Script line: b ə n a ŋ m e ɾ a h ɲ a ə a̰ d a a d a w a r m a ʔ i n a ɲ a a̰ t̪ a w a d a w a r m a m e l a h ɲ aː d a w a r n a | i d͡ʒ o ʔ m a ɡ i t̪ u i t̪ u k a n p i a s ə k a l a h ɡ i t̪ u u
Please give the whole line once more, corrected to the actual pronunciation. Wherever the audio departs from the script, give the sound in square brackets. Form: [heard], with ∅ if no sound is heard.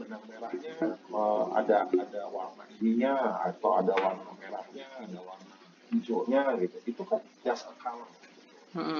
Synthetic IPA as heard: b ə n a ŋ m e ɾ a h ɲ a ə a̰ d a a d a w a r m a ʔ i n [i] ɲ a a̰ t̪ a w a d a w a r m a m e [ɾ] a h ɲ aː d a w a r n a | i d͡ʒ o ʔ [ɲ] a ɡ i t̪ u i t̪ u k a n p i a s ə k a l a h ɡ i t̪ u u